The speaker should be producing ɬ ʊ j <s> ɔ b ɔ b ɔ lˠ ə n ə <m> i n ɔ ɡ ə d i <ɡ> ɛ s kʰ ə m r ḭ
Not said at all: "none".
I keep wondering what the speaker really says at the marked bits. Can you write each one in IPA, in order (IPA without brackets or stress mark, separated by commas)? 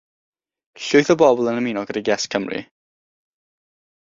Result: θ, m, ɡ